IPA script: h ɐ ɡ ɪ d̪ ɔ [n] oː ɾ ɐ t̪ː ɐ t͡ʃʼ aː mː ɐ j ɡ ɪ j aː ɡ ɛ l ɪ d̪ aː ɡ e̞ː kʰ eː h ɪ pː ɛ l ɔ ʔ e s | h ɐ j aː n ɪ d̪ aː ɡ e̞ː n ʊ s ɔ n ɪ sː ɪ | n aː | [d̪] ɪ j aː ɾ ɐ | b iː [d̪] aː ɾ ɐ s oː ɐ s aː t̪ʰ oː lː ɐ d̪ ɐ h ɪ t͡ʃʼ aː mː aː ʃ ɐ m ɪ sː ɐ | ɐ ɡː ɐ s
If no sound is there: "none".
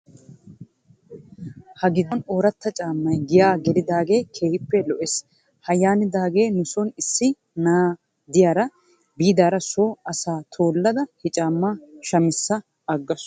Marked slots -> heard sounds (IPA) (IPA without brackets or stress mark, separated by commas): n, d̪, d̪